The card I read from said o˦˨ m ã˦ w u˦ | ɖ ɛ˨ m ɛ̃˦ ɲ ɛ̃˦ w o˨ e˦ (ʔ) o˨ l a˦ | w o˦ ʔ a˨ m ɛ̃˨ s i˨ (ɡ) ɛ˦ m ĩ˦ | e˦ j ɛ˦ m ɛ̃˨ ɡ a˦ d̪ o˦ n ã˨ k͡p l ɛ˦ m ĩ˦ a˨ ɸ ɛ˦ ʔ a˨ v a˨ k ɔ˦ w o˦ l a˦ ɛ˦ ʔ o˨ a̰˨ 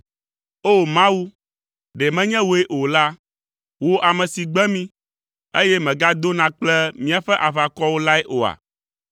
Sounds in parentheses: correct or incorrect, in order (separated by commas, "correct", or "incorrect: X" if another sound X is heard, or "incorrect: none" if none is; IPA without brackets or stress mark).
correct, incorrect: ɡ͡b